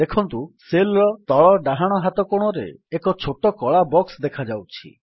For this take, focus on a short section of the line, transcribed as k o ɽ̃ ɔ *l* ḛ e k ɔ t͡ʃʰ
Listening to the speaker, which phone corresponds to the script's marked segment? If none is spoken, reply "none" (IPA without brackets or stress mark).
ɾ